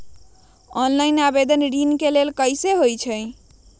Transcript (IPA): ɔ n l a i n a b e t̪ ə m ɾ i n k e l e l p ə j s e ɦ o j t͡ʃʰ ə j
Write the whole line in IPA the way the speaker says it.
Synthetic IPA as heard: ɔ n l a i n a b e d̪ ə n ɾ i n k e l e l k ə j s e ɦ o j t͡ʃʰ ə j